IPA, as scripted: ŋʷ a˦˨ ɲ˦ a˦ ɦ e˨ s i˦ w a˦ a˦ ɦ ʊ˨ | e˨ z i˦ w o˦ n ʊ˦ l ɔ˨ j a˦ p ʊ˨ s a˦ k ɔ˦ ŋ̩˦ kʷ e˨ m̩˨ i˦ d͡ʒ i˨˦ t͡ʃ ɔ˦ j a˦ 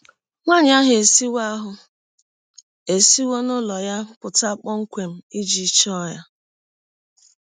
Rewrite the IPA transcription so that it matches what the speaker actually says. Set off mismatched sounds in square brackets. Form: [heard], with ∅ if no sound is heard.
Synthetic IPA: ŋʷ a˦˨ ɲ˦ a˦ ɦ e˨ s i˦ w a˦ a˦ ɦ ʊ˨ | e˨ [s] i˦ w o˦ n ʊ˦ l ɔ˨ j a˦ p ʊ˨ [t] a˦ [k͡p] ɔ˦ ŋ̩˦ kʷ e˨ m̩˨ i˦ d͡ʒ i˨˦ t͡ʃ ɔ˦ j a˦